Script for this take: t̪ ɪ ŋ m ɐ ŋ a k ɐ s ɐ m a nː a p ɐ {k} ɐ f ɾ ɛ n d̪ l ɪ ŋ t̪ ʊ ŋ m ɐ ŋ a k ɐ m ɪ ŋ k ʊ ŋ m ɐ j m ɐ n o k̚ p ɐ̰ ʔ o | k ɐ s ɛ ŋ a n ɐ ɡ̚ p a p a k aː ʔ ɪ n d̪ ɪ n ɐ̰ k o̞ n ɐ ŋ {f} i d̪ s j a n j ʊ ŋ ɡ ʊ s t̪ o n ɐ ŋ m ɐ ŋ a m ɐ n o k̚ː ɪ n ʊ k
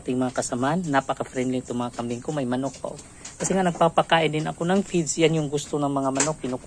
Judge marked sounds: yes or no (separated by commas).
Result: yes, yes